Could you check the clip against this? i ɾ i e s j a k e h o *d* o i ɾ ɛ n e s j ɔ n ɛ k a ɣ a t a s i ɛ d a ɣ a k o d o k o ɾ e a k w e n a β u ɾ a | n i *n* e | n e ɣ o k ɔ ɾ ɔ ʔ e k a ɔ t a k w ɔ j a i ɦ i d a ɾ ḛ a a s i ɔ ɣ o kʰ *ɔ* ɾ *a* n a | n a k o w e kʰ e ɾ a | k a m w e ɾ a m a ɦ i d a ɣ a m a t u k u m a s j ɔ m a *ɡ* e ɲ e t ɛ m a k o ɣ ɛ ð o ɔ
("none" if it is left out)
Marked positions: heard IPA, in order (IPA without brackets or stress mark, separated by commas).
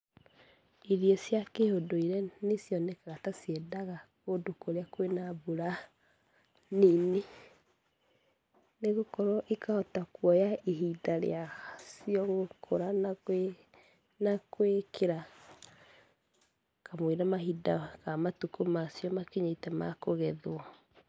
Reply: d, n, o, a, k